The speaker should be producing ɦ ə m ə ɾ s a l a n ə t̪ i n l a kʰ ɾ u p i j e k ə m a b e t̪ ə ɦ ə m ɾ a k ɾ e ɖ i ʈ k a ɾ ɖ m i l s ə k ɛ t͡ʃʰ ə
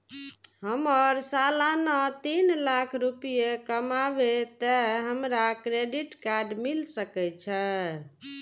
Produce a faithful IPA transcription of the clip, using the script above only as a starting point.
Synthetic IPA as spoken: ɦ ə m ə ɾ s a l a n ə t̪ i n l a kʰ ɾ u p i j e k ə m a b e t̪ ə ɦ ə m ɾ a k ɾ e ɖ i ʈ k a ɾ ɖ m i l s ə k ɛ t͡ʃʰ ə